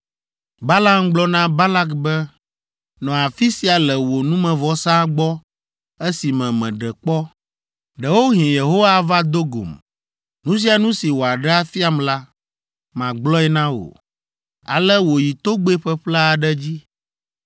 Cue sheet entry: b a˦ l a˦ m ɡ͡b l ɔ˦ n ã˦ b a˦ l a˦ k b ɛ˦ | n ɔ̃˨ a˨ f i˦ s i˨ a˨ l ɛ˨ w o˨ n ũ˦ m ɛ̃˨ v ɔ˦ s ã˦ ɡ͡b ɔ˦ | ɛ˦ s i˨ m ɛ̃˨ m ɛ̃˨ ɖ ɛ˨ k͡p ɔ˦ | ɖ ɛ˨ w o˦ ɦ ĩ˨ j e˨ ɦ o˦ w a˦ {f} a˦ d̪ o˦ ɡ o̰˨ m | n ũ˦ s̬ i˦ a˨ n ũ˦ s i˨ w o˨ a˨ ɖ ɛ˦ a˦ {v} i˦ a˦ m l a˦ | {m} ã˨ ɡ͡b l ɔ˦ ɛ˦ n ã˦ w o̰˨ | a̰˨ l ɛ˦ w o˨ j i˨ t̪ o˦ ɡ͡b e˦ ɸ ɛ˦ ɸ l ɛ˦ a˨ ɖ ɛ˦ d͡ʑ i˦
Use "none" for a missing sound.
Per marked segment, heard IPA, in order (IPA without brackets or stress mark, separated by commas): v, f, m